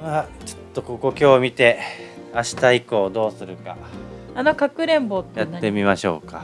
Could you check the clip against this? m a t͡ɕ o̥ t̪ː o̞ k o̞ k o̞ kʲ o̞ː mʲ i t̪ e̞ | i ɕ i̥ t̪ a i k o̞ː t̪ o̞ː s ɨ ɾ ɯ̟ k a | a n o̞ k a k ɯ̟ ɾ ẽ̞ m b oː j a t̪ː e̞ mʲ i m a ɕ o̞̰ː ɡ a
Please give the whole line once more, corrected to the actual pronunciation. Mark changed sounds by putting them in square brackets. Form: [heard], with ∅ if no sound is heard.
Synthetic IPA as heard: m a t͡ɕ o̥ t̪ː o̞ k o̞ k o̞ kʲ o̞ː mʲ i t̪ e̞ | [a] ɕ i̥ t̪ a i k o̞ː [d̪] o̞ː s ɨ ɾ ɯ̟ k a | a n o̞ k a k ɯ̟ ɾ ẽ̞ m b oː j a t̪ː e̞ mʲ i m a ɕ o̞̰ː [k] a